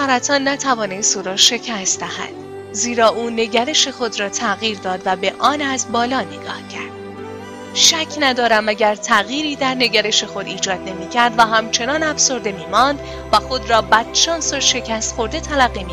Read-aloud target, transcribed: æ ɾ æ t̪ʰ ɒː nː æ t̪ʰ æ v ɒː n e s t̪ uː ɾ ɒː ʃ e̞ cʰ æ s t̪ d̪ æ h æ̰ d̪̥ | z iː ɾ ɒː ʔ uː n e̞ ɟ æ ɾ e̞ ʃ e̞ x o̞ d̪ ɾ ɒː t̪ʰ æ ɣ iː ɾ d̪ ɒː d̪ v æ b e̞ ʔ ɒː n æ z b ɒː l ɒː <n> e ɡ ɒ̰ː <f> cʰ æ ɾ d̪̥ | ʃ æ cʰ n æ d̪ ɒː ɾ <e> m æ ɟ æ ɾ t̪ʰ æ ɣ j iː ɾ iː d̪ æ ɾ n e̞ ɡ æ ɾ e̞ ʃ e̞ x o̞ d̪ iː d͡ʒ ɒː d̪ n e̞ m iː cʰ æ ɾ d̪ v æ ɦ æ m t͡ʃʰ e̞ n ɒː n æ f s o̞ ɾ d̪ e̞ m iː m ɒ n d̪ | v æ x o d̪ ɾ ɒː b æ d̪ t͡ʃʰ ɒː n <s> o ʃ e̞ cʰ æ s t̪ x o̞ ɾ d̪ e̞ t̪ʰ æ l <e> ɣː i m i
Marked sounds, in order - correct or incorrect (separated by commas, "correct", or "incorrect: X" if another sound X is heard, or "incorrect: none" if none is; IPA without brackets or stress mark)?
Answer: correct, incorrect: h, incorrect: æ, correct, incorrect: æ